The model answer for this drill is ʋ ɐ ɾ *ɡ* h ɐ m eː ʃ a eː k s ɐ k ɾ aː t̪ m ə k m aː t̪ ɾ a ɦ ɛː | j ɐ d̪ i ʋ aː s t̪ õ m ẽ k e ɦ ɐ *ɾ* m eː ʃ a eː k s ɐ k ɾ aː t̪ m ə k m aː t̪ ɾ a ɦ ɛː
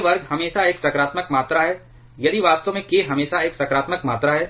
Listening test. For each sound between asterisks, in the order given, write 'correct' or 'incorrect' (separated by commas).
correct, incorrect